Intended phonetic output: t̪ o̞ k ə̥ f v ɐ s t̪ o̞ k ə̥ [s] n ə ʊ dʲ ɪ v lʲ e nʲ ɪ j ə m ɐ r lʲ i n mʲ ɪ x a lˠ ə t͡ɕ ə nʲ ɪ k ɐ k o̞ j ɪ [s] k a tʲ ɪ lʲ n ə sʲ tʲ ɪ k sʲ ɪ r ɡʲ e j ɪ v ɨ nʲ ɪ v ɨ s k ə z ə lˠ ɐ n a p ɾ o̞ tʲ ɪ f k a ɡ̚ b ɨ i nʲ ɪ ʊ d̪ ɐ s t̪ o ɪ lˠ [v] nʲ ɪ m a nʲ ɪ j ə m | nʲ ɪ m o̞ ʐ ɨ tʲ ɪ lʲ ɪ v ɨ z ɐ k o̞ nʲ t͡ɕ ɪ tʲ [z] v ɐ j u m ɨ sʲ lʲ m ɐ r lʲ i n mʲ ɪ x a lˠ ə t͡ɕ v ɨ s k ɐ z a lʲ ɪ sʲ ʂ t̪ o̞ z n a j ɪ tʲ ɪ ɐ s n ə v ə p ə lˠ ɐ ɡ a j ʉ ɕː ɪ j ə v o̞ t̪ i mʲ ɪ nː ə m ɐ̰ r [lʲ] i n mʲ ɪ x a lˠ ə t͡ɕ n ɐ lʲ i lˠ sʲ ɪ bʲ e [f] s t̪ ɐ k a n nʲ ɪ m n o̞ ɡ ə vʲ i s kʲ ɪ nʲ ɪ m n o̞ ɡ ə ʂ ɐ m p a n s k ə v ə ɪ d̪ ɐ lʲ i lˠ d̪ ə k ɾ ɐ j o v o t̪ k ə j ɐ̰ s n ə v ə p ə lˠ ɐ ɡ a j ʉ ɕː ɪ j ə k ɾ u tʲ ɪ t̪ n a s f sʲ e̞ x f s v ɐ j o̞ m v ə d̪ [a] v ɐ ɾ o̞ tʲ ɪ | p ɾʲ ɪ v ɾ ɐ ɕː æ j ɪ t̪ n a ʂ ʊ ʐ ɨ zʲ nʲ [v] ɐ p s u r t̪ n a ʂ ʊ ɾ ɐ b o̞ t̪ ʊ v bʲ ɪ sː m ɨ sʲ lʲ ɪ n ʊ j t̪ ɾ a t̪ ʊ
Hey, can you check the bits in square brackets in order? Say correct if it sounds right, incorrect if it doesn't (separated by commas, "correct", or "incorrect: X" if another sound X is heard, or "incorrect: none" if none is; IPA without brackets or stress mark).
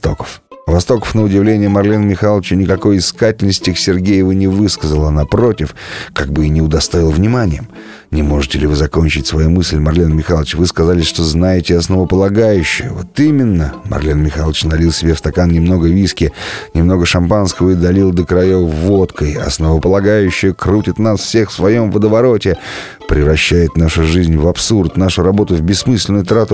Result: incorrect: f, correct, correct, incorrect: s, correct, correct, incorrect: ə, correct